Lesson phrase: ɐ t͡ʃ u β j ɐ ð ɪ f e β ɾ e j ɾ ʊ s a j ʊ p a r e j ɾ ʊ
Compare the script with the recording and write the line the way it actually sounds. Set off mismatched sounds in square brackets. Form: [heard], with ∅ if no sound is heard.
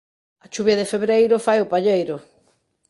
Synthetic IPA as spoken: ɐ t͡ʃ u β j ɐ ð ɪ f e β ɾ e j ɾ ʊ [f] a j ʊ p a [ʎ] e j ɾ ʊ